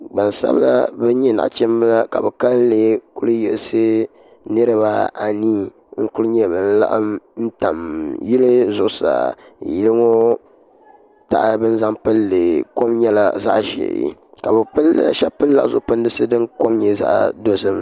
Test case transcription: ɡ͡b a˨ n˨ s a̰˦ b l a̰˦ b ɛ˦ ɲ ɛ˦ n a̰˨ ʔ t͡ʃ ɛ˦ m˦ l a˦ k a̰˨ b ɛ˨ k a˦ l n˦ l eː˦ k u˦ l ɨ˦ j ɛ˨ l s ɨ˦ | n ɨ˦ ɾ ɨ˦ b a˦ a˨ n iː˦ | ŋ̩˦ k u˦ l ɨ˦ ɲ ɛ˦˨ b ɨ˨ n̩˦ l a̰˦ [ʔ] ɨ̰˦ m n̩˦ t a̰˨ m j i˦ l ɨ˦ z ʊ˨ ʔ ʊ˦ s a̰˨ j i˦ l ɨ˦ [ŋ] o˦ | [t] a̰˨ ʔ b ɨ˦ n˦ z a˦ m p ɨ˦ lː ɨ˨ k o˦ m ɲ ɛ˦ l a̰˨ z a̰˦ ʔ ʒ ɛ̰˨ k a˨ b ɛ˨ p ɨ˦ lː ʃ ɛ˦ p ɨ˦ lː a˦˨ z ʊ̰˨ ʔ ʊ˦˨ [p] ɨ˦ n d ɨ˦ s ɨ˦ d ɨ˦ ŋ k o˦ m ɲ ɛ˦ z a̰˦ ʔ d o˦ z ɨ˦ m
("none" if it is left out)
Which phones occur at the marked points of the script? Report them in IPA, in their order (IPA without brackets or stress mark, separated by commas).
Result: ʔ, ŋ, t, p